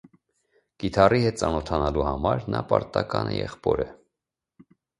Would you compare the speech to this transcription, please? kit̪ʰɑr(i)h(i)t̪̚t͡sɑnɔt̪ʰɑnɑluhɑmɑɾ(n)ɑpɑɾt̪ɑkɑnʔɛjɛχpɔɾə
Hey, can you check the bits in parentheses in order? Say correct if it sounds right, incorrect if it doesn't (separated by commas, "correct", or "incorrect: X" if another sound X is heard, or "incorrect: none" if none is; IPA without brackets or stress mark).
correct, incorrect: ɛ, correct